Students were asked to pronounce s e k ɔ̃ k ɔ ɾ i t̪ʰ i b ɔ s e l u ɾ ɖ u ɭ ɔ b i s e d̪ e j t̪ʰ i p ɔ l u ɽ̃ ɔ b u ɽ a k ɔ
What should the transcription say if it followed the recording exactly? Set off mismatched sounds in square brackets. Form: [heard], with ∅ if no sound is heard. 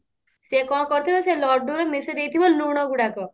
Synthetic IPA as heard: s e k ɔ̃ k ɔ ɾ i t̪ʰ i b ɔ s e l [ɔ] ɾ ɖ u [ɾ] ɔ [m] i s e d̪ e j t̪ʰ i [b] ɔ l u ɽ̃ ɔ [ɡ] u ɽ a k ɔ